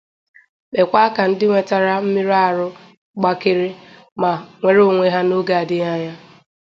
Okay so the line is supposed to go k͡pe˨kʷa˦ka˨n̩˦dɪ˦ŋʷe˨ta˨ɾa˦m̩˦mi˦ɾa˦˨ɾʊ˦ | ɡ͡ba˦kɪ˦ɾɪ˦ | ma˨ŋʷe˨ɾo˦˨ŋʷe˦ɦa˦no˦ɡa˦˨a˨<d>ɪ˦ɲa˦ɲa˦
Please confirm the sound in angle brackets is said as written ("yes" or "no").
yes